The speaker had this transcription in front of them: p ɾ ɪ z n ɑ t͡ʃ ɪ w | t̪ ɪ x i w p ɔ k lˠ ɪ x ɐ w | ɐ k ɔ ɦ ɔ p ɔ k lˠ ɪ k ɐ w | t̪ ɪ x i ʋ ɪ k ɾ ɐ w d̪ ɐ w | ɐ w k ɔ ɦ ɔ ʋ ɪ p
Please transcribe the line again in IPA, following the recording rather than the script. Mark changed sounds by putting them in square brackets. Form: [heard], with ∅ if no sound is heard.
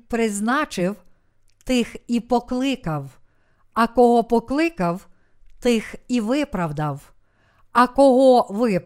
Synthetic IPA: p ɾ ɪ z n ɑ t͡ʃ ɪ w | t̪ ɪ x i [∅] p ɔ k lˠ ɪ [k] ɐ w | ɐ k ɔ ɦ ɔ p ɔ k lˠ ɪ k ɐ w | t̪ ɪ x i ʋ ɪ [p] ɾ ɐ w d̪ ɐ w | ɐ [∅] k ɔ ɦ ɔ ʋ ɪ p